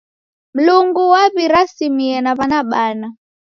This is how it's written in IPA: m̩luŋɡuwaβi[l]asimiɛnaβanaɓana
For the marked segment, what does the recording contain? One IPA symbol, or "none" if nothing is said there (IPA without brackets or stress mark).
ɾ